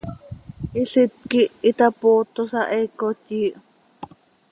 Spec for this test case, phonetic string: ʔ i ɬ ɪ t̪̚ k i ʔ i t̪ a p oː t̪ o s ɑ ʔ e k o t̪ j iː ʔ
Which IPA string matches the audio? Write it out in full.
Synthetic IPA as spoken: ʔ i ɬ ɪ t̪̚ k i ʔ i t̪ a p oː t̪ o s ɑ ʔ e k o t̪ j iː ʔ